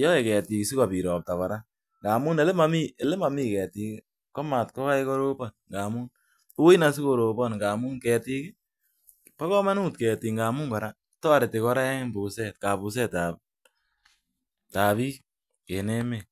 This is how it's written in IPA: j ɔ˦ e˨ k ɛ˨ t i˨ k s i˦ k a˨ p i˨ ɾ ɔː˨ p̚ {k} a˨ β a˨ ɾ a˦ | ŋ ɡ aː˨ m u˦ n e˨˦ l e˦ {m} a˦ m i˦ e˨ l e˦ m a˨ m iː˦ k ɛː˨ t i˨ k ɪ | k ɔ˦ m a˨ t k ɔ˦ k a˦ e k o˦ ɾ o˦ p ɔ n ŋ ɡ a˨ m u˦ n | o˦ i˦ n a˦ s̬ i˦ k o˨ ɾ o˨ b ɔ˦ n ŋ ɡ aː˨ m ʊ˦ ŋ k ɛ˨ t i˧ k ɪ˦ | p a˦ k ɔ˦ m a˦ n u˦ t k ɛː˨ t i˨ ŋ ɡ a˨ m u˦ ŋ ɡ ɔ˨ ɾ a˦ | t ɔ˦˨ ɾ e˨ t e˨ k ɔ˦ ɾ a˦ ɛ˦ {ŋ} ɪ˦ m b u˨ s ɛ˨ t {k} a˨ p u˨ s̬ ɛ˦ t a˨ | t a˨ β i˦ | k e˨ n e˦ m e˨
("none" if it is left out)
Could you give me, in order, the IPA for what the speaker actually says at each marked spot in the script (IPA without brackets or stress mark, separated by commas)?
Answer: t, m, ŋ, k